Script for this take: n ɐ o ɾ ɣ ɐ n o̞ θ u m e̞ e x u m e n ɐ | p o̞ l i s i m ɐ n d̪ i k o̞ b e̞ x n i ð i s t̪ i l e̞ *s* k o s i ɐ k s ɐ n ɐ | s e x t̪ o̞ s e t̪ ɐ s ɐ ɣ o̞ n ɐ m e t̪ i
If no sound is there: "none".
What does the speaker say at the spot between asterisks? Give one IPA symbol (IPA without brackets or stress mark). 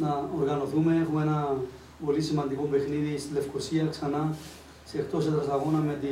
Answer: f